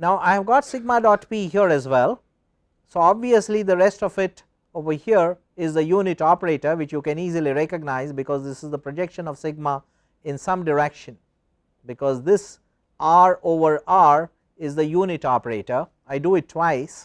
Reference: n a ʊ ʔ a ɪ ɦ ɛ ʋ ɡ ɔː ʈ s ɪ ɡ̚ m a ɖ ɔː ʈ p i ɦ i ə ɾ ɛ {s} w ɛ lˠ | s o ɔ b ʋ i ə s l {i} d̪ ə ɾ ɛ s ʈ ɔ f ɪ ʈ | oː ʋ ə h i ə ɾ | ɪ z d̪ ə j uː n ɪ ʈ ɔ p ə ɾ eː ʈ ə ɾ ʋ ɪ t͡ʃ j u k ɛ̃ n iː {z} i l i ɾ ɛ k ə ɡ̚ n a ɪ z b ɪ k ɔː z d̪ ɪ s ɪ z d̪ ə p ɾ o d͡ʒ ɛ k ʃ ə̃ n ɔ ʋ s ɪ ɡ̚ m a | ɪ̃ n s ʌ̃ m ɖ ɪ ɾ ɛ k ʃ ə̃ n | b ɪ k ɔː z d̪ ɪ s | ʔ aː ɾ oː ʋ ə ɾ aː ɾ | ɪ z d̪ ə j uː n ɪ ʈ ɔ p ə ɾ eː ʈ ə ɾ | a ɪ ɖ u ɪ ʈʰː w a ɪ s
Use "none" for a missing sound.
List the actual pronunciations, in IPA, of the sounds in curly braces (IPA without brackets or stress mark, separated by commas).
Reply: z, i, z